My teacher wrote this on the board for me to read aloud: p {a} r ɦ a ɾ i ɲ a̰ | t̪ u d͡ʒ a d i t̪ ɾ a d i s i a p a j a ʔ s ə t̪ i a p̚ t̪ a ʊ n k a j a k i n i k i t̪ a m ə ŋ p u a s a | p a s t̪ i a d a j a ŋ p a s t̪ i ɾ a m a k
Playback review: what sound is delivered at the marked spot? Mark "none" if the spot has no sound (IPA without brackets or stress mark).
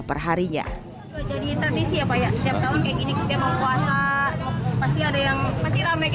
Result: ə